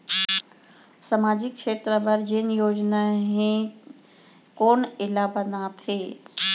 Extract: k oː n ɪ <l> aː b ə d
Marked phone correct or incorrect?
correct